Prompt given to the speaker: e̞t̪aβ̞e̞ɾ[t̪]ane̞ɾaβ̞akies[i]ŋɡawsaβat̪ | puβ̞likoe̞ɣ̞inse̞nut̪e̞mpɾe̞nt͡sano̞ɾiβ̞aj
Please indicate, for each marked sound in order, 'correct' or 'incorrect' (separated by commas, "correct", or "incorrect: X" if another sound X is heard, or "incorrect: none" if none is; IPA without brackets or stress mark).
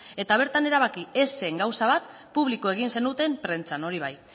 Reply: correct, incorrect: e